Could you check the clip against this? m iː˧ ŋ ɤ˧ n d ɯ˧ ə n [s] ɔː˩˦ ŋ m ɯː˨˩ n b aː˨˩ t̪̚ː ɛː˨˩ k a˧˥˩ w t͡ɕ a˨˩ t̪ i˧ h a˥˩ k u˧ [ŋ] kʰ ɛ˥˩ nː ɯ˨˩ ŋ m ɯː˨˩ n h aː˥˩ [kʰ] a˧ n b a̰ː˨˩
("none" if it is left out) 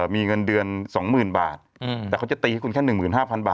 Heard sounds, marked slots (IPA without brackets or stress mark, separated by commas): s, n, pʰ